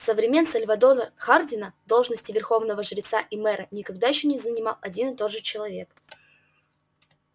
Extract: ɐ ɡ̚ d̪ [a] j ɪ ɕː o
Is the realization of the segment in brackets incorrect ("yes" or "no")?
no